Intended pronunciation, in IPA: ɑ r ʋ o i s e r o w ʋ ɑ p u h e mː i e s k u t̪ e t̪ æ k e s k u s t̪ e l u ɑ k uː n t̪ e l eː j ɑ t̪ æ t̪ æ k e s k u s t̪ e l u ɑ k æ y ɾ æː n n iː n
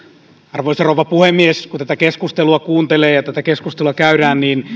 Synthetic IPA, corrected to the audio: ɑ r ʋ o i s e r o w ʋ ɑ p u h e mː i e s k u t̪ æ t̪ æ k e s k u s t̪ e l u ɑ k uː n t̪ e l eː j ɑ t̪ æ t̪ æ k e s k u s t̪ e l u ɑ k æ y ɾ æː n n iː n